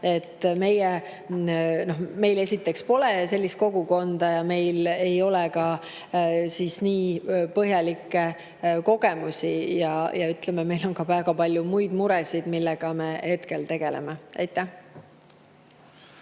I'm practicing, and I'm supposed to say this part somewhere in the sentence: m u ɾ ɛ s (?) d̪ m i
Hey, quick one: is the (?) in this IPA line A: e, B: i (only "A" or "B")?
B